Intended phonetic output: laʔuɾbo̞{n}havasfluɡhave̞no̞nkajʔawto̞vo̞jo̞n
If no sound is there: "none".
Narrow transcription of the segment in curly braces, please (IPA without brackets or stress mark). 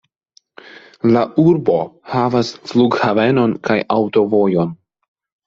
none